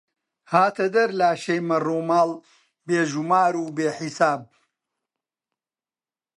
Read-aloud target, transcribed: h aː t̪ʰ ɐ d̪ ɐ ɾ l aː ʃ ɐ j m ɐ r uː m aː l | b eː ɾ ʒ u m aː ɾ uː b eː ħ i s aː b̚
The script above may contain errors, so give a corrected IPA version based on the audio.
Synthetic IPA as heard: h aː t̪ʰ ɐ d̪ ɐ ɾ l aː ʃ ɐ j m ɐ r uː m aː l | b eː ʒ u m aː ɾ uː b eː ħ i s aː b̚

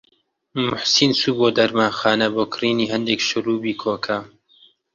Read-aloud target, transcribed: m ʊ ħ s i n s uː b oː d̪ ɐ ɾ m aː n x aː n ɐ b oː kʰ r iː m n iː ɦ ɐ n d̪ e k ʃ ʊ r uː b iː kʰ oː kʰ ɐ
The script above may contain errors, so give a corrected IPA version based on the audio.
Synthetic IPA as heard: m ʊ ħ s i n s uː b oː d̪ ɐ ɾ m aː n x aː n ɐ b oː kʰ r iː n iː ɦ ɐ n d̪ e k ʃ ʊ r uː b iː kʰ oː kʰ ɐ

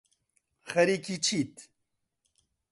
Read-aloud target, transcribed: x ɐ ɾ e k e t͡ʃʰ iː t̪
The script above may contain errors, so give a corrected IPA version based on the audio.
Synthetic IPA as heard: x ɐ ɾ i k i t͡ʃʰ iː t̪

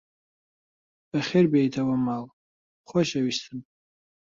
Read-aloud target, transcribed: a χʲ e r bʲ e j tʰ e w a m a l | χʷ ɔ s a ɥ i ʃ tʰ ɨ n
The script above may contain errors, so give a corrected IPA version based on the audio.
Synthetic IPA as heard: a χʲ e r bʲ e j tʰ a w a m a l | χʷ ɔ ʃ a ɥ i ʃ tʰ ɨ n

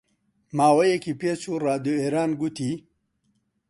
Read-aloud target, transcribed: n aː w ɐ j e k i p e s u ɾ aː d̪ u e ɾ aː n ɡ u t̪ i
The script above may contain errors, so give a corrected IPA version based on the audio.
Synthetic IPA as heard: m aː w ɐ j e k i p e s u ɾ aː d̪ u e ɾ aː n ɡ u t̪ i

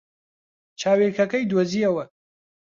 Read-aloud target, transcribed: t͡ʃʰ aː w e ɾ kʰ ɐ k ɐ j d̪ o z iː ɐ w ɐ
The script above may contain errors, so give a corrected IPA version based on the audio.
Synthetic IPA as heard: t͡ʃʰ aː w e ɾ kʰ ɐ k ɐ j d̪ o z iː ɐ w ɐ

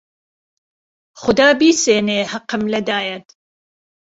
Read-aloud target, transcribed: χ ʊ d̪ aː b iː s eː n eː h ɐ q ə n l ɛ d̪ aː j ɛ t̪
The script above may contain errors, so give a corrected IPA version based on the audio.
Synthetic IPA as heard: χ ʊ d̪ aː b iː s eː n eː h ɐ q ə m l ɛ d̪ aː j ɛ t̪

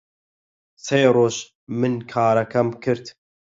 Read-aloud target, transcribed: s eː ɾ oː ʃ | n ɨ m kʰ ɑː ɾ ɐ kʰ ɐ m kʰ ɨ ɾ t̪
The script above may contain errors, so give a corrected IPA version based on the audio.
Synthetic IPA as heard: s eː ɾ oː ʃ | m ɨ n kʰ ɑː ɾ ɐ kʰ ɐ m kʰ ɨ ɾ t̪

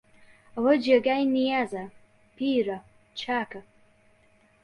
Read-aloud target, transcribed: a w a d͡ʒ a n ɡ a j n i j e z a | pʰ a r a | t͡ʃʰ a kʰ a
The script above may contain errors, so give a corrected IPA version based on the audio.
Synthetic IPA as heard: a w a d͡ʒ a ɡ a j n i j a z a | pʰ i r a | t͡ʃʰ a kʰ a

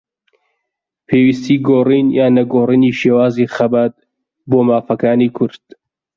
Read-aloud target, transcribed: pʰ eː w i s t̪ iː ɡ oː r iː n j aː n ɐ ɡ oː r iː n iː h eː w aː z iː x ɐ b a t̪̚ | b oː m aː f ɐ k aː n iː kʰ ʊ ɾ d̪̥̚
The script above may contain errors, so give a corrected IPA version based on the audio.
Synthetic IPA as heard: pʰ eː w i s t̪ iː ɡ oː r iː n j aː n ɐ ɡ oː r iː n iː ʃ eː w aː z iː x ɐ b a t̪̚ | b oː m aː f ɐ k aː n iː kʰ ʊ ɾ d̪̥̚

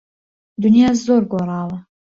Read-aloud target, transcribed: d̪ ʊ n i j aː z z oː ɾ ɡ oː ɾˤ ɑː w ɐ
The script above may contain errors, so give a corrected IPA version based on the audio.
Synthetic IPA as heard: d̪ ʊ n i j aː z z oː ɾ ɡ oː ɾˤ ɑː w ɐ

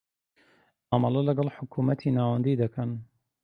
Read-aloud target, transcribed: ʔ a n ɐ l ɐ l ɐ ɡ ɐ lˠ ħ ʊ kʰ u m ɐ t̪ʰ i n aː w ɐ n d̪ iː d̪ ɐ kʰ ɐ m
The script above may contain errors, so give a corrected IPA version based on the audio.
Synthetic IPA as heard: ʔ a m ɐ l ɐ l ɐ ɡ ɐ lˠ ħ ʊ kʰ u m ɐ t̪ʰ i n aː w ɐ n d̪ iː d̪ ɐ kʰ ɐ n

